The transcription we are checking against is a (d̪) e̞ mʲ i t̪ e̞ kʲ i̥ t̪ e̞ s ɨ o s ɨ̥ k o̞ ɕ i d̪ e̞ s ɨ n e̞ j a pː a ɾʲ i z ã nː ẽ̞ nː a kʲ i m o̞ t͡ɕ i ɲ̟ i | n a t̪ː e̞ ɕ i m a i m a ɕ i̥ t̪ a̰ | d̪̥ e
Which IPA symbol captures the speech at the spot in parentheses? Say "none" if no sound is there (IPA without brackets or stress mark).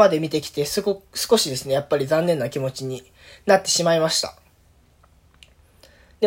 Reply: d̪